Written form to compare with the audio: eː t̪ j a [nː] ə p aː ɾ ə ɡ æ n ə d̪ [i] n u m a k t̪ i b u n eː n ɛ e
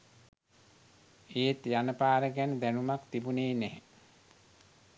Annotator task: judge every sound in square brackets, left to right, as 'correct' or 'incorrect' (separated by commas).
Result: incorrect, incorrect